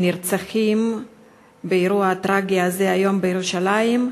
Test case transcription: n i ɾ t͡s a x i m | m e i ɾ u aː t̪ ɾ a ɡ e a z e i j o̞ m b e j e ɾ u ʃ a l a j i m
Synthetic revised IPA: n i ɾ t͡s a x i m | b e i ɾ u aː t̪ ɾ a ɡ i a z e a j o̞ m b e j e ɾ u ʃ a l a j i m